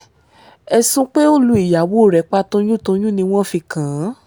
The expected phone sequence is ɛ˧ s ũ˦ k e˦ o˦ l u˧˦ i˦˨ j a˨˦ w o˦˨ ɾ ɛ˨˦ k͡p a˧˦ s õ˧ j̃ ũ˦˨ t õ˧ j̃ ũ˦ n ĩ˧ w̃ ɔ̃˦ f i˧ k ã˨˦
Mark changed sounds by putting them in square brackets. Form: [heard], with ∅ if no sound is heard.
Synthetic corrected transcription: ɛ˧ s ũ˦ [k͡p] e˦ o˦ l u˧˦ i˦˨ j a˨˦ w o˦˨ ɾ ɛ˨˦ k͡p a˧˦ [t] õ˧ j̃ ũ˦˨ t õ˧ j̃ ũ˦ n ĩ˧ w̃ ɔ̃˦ f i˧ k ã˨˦